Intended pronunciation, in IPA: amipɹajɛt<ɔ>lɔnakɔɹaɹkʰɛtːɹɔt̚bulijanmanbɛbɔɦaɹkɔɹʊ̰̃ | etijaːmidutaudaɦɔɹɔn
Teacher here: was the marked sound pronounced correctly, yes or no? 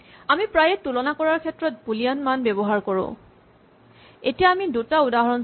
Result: no